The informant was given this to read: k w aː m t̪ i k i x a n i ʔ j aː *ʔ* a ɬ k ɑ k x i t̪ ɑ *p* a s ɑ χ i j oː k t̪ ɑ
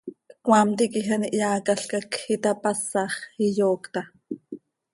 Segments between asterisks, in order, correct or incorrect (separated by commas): incorrect, correct